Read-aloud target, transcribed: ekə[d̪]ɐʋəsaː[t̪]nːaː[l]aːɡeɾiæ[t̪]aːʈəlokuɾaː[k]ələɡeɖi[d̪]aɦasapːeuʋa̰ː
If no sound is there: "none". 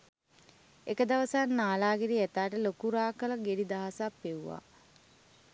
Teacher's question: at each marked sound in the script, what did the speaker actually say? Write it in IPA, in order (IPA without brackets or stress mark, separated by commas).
d̪, none, l, t̪, k, d̪